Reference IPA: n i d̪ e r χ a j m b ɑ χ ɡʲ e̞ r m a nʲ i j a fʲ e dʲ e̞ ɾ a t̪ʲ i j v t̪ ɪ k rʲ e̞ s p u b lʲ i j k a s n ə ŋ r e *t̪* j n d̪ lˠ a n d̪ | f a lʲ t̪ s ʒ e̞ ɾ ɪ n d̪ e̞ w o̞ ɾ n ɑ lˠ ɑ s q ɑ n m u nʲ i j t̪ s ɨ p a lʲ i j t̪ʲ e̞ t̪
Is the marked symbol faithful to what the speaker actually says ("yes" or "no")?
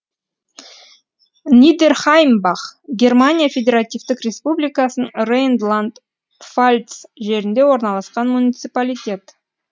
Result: no